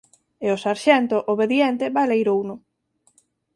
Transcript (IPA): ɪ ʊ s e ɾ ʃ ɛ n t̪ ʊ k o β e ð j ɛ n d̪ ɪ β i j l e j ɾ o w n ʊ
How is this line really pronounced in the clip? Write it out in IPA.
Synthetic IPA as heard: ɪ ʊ s a ɾ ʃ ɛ n t̪ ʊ ʔ o β e ð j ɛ n t̪ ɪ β a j l e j ɾ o w n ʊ

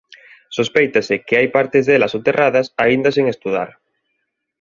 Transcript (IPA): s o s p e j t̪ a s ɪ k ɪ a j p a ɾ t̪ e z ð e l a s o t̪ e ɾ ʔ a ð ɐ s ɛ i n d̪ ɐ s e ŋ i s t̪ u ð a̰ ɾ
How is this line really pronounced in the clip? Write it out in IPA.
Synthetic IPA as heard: s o s p e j t̪ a s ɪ k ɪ a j p a ɾ t̪ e z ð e l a s o t̪ e r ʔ a ð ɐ s a i n d̪ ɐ s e ŋ e s t̪ u ð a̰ ɾ

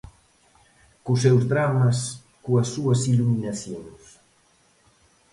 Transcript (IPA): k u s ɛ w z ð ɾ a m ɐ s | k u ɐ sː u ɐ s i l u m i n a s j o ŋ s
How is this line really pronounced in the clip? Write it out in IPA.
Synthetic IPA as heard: k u s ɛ w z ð ɾ a m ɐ s | k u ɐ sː u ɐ s i l u m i n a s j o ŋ s

